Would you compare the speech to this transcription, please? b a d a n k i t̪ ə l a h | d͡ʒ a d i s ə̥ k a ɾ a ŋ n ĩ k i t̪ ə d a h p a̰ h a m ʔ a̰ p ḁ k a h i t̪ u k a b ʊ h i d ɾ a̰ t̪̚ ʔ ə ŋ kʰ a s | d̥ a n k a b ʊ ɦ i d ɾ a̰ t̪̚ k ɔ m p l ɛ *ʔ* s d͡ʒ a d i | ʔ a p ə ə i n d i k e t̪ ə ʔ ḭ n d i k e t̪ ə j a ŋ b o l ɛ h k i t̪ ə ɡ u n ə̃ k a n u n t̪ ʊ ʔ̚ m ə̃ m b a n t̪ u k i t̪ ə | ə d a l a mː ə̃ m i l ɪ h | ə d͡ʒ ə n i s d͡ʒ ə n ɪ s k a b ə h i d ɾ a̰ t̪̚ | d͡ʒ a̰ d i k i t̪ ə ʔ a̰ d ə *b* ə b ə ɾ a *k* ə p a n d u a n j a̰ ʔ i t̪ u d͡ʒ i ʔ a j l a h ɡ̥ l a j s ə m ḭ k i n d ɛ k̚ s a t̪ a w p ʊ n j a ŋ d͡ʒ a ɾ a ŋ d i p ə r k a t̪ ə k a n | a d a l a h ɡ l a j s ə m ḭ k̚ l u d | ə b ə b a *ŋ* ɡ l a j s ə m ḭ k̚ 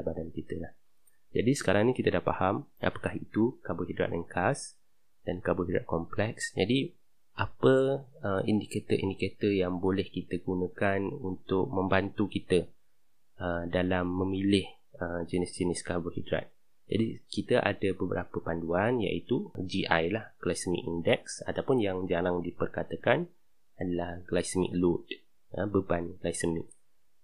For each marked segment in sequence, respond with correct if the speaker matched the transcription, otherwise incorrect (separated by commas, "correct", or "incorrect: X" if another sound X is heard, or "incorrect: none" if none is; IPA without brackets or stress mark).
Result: incorrect: k, correct, incorrect: p, incorrect: n